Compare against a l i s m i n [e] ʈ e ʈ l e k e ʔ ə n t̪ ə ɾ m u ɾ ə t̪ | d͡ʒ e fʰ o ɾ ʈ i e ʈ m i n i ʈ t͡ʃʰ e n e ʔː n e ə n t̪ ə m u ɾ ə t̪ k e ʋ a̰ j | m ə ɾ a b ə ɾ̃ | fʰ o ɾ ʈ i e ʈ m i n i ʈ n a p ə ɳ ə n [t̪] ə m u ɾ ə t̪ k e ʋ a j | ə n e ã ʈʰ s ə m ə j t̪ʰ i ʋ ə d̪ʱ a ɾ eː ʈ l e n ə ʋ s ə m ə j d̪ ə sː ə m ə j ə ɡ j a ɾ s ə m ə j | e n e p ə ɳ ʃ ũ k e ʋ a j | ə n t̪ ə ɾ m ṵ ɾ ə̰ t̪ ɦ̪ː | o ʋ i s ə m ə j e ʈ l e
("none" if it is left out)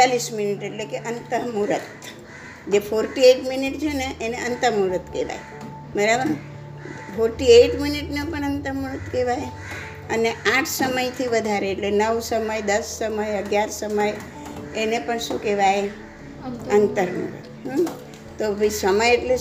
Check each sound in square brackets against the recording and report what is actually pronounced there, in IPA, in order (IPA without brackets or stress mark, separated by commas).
i, t̪